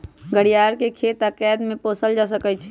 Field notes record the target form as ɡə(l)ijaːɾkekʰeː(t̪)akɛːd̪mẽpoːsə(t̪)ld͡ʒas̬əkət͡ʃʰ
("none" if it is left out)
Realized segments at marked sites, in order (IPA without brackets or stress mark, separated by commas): ɽ, t̪, none